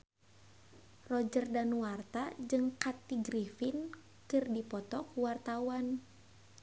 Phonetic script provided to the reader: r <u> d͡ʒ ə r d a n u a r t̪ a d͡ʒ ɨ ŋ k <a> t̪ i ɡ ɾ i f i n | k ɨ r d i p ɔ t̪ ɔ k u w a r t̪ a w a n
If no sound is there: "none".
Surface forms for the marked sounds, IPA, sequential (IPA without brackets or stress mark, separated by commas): ɔ, a